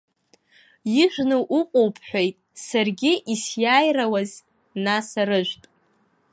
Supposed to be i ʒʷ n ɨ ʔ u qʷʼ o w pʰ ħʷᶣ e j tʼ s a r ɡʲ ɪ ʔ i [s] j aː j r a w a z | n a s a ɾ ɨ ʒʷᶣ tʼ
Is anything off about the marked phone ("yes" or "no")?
no